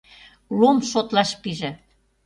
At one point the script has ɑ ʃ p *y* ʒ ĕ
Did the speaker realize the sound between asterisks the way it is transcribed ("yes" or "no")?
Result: no